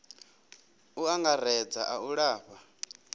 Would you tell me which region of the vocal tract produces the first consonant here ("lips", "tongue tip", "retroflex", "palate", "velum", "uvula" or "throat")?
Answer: velum